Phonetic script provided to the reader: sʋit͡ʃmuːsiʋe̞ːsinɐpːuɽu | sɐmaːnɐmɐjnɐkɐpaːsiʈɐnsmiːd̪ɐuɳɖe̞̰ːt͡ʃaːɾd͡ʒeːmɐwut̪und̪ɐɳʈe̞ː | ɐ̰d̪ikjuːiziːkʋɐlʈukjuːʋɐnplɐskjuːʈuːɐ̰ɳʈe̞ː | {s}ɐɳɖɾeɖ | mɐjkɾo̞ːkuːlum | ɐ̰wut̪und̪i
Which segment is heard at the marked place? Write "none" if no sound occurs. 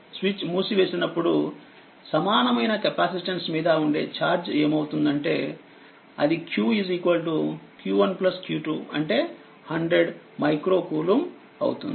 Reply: h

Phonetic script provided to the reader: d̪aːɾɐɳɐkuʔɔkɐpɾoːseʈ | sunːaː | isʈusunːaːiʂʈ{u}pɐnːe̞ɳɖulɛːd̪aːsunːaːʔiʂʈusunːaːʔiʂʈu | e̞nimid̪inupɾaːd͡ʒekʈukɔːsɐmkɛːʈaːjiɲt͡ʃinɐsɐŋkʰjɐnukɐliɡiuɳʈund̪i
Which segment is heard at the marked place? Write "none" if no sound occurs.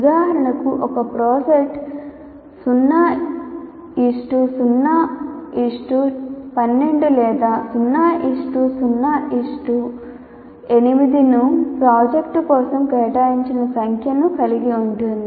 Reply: u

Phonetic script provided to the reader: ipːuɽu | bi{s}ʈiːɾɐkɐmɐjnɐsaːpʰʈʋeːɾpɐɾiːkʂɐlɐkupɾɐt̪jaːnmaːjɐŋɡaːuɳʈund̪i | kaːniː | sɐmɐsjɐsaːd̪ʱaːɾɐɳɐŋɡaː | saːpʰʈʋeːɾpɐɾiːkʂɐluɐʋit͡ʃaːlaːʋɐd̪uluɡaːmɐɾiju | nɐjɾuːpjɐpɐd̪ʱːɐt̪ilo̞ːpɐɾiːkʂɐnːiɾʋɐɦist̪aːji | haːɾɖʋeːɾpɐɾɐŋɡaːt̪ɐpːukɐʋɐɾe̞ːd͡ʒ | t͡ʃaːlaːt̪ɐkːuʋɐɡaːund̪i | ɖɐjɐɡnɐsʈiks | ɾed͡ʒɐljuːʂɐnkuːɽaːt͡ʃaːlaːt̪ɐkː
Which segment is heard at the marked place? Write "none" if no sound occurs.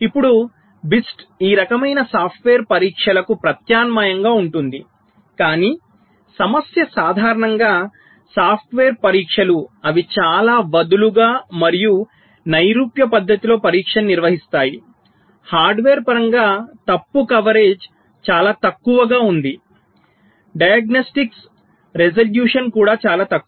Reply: s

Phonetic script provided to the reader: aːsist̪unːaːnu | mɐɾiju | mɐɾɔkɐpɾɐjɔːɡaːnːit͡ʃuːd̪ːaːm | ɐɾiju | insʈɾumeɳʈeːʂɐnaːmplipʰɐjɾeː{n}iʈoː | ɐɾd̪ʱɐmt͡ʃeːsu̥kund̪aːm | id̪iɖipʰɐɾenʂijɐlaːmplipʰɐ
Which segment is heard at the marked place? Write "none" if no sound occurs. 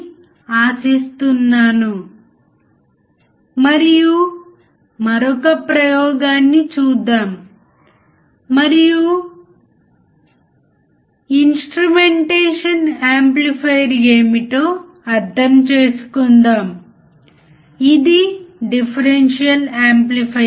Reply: m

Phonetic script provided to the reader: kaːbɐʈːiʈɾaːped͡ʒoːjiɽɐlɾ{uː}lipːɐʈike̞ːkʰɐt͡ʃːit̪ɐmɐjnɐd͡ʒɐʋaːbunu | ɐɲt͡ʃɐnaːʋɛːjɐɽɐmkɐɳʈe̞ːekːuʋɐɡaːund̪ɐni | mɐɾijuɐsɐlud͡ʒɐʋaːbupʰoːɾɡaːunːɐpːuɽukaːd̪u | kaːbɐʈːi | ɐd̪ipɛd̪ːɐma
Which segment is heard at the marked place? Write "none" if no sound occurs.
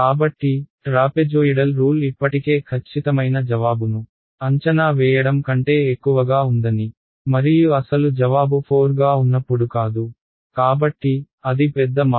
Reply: uː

